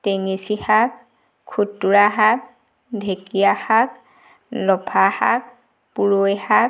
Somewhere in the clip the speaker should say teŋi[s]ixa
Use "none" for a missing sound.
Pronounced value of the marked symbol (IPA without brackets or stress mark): s